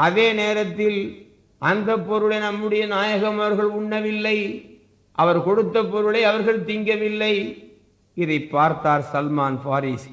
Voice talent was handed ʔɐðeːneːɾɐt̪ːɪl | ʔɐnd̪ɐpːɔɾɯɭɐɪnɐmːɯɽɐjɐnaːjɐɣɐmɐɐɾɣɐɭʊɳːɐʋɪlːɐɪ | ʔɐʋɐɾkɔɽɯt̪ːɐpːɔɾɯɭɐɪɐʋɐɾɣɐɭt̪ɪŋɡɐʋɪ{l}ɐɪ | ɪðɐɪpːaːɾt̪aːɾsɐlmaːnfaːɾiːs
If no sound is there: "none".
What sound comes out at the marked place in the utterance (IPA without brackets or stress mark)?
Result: lː